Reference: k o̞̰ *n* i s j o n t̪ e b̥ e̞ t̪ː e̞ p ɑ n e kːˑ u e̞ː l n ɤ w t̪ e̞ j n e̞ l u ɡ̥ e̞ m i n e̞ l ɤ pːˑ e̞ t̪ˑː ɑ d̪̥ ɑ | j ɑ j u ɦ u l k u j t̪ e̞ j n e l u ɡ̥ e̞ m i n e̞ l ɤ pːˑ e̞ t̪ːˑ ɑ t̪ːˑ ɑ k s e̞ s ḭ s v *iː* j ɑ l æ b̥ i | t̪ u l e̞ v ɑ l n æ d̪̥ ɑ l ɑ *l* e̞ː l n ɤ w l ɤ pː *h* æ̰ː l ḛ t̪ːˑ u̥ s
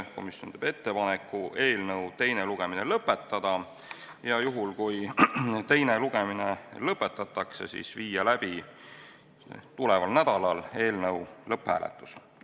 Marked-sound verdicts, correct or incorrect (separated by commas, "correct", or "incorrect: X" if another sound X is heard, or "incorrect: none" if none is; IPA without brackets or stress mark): incorrect: m, correct, correct, correct